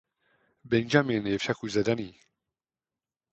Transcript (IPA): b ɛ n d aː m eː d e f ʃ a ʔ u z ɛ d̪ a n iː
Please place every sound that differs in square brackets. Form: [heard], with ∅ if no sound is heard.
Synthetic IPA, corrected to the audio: b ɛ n [d͡ʒ] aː m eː [n] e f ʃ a [k] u z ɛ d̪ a n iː